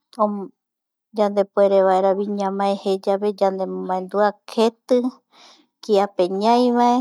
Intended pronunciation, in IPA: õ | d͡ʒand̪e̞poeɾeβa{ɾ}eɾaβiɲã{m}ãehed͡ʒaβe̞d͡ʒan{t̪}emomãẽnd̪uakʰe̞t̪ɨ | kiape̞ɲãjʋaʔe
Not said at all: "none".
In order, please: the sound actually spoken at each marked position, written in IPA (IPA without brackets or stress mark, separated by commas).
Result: none, m, d̪